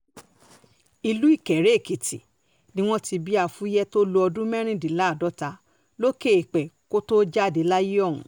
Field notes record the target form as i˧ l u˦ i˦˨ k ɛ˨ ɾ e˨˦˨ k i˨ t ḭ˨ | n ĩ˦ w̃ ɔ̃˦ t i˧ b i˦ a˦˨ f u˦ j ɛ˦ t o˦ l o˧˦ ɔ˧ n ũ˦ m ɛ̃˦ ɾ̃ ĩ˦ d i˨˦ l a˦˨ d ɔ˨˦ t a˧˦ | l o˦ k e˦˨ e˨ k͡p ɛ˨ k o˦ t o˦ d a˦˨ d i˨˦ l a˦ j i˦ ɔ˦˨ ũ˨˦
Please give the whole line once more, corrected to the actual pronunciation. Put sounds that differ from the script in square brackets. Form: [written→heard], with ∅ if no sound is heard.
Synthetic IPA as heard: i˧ l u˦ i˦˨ k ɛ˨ ɾ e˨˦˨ k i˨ t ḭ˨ | n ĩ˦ w̃ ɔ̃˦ t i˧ b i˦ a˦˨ f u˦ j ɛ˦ t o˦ l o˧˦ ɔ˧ [n→d] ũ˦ m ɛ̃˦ ɾ̃ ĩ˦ d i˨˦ l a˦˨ d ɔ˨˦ t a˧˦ | l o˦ k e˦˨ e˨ k͡p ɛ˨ k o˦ t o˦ [d→d͡ʒ] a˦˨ d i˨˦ l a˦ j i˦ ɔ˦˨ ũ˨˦